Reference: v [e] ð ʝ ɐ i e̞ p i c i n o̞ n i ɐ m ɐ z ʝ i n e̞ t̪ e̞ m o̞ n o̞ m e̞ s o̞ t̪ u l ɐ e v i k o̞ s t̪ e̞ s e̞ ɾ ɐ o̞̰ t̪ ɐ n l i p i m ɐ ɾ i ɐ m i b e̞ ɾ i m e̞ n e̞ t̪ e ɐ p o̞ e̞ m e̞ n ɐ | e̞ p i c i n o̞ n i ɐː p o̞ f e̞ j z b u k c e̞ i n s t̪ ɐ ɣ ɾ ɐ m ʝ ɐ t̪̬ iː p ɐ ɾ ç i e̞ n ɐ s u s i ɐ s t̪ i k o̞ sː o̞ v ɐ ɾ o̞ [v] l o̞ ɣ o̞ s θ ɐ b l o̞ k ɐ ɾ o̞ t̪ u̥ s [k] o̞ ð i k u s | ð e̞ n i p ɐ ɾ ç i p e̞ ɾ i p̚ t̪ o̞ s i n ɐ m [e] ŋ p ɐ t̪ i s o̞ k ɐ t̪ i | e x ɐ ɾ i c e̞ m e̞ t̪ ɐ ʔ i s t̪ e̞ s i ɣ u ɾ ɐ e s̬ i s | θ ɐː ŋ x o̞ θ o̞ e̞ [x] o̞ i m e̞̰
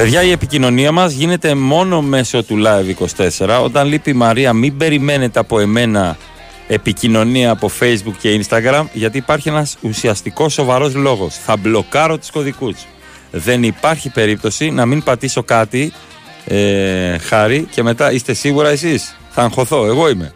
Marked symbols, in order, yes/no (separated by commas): yes, no, yes, no, no